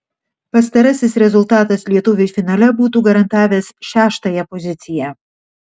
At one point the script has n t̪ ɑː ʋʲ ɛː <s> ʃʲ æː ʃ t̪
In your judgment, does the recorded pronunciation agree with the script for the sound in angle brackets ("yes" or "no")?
yes